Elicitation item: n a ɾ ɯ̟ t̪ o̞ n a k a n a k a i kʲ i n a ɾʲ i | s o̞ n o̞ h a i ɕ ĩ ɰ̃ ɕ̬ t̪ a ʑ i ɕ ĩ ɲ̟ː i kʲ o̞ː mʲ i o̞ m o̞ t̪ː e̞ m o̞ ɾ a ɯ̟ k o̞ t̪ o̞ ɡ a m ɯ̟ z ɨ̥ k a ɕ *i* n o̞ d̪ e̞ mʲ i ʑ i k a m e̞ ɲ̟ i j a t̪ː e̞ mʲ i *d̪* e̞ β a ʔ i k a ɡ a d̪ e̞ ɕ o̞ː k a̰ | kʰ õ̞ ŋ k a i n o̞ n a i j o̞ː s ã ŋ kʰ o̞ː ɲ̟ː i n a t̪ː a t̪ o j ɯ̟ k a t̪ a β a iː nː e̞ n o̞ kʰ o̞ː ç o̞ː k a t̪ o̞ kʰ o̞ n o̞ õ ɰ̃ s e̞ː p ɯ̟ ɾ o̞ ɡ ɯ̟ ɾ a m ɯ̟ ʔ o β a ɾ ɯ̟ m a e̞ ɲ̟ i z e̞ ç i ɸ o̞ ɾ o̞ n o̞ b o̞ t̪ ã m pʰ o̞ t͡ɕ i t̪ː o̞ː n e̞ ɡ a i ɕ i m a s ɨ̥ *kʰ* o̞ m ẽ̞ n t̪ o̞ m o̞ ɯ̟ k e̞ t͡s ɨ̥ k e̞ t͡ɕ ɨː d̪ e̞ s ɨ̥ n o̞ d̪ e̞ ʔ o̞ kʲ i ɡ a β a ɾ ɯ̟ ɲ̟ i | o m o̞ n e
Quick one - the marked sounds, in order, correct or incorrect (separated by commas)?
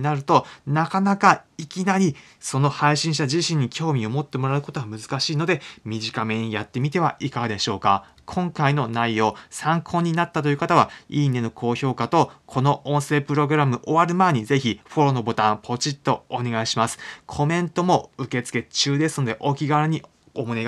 incorrect, incorrect, correct